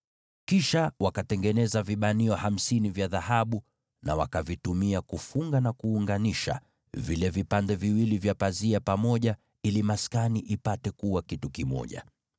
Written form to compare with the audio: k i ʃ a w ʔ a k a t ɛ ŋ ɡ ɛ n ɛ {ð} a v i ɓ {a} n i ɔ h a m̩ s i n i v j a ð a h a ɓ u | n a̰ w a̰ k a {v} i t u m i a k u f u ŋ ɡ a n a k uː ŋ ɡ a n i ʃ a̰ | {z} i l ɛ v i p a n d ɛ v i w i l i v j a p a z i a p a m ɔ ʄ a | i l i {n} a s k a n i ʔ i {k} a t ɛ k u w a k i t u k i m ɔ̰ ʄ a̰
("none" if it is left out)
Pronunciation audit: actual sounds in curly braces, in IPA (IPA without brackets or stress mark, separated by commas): z, a, v, v, m, p